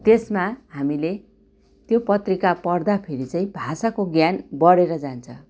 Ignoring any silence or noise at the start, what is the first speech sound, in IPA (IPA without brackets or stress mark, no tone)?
t̪